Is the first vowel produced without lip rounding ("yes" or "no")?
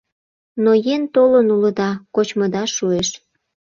no